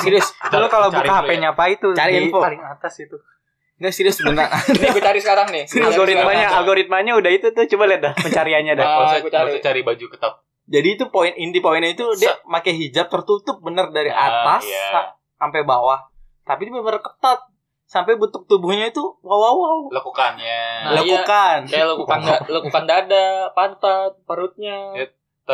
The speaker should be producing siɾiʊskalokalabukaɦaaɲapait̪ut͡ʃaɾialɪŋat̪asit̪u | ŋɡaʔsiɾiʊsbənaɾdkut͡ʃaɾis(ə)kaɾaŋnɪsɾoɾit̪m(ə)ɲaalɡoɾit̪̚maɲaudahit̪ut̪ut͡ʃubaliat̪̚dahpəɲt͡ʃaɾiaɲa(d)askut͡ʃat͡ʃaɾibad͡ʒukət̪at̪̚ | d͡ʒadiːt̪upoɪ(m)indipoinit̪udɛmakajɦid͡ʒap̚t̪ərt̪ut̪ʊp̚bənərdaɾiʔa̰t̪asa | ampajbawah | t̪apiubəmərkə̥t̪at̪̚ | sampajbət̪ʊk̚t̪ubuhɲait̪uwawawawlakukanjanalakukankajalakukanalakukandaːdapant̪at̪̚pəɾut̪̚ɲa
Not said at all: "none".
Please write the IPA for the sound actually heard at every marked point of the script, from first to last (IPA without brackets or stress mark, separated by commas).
ə, a, d, n